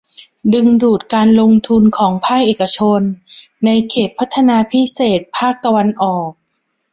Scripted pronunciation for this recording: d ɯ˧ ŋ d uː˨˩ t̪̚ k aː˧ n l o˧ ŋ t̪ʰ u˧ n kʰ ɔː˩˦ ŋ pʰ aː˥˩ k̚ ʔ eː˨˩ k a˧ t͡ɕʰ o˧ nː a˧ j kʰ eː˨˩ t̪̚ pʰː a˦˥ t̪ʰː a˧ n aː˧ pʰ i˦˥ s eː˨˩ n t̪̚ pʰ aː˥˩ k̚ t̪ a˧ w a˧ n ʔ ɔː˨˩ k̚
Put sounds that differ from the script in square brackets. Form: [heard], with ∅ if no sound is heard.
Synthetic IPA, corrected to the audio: d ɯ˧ ŋ d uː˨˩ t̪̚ k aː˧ n l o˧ ŋ t̪ʰ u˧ n kʰ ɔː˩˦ ŋ pʰ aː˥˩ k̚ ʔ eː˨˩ k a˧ t͡ɕʰ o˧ nː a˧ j kʰ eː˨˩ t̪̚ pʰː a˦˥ t̪ʰː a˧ n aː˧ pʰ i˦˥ s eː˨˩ [∅] t̪̚ pʰ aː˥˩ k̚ t̪ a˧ w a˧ n ʔ ɔː˨˩ k̚